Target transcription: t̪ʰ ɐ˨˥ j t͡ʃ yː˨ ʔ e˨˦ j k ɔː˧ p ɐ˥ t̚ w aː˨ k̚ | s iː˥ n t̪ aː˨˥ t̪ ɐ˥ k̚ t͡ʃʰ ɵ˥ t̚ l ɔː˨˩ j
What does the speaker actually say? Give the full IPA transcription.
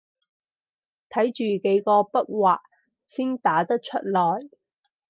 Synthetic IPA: t̪ʰ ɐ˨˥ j t͡ʃ yː˨ k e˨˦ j k ɔː˧ p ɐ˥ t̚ w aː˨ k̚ | s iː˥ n t̪ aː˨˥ t̪ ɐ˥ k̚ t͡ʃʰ ɵ˥ t̚ l ɔː˨˩ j

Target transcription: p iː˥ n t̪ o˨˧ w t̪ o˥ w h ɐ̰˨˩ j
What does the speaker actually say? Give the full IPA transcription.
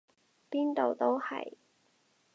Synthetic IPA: p iː˥ n t̪ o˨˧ w t̪ o˥ w h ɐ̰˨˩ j

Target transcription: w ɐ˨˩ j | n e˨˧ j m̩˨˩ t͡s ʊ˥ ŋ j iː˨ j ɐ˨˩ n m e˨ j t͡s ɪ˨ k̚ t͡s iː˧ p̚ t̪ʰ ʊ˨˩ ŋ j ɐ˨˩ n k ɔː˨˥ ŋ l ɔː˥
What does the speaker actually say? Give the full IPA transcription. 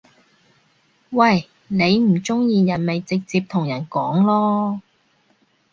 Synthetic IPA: w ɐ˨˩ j | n e˨˧ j m̩˨˩ t͡s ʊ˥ ŋ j iː˨ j ɐ˨˩ n m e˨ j t͡s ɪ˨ k̚ t͡s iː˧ p̚ t̪ʰ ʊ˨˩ ŋ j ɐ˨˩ n k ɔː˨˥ ŋ l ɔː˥

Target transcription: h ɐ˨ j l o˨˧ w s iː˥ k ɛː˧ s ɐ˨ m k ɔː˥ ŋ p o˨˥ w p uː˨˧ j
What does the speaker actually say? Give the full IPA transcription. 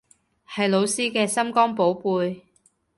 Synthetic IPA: h ɐ˨ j l o˨˧ w s iː˥ k ɛː˧ s ɐ˥ m k ɔː˥ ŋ p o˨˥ w p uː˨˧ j

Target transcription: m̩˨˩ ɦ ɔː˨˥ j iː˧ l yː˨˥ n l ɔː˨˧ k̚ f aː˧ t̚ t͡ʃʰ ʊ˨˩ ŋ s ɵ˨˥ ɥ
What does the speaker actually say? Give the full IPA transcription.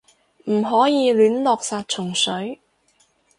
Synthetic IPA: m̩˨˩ ɦ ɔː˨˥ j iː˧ l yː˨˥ n l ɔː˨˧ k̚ s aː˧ t̚ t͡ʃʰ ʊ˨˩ ŋ s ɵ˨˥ ɥ

